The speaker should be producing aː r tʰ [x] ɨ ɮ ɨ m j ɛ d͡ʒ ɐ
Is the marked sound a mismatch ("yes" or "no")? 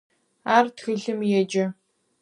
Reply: no